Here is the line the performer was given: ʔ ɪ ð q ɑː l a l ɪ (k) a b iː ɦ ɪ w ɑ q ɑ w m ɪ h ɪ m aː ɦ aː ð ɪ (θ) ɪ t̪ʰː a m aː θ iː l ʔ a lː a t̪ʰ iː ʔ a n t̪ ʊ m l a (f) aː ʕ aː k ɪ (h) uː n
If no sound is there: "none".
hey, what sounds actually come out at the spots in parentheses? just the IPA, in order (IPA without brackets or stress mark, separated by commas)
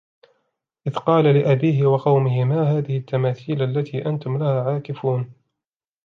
ʔ, h, h, f